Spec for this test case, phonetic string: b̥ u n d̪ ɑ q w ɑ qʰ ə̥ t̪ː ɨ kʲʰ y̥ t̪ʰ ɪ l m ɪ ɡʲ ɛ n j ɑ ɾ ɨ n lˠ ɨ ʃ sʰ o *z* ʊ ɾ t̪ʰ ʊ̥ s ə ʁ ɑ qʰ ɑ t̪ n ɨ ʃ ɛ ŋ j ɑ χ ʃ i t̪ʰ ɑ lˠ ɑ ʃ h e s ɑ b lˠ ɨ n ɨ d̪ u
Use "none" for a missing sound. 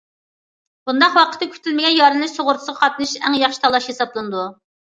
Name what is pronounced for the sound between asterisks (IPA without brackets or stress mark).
ʁ